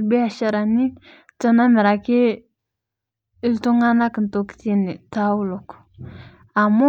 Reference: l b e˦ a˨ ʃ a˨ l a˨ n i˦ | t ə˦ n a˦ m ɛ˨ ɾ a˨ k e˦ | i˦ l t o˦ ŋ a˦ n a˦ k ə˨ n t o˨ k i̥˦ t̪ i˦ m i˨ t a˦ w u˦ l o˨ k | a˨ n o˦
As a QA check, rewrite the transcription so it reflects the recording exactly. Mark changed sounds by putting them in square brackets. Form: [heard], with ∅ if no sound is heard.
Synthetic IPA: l b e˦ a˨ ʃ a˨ [ɾ] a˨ n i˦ | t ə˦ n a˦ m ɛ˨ ɾ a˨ k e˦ | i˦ l t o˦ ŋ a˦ n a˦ k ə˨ n t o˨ k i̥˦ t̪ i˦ [n] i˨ t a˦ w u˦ l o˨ k | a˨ [m] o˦